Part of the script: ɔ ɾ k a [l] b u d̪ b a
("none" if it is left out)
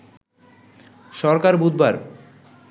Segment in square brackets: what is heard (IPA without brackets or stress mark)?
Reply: ɾ